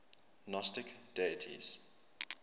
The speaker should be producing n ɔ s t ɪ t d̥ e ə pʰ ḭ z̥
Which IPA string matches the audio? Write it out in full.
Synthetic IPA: n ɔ s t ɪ k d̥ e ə tʰ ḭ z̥